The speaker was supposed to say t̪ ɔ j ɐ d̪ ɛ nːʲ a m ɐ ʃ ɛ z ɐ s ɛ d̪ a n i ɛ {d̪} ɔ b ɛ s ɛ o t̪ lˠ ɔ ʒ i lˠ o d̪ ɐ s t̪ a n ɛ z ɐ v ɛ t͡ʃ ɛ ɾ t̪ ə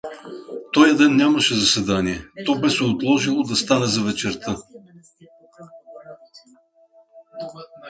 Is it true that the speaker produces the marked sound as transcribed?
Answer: no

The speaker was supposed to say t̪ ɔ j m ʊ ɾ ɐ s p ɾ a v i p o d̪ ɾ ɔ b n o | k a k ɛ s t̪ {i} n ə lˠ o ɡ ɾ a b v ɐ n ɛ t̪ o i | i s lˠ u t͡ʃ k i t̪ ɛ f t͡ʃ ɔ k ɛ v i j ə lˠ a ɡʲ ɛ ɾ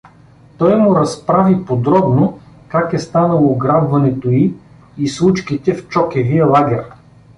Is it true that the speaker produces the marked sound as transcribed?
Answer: no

